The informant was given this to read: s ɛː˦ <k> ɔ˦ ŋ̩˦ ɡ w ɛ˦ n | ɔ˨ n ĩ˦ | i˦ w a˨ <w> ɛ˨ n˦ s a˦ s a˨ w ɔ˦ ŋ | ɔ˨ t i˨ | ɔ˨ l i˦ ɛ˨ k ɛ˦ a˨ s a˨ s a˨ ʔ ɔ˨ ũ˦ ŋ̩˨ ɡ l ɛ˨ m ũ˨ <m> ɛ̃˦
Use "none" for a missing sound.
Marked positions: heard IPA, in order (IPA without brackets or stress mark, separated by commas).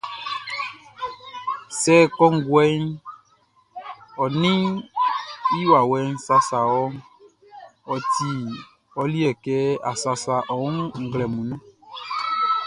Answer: k, w, n